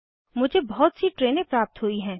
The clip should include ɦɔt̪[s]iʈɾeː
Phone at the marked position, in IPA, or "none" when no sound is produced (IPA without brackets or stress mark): s